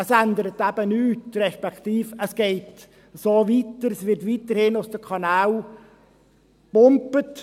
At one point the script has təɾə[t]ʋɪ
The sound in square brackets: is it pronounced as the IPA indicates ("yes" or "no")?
no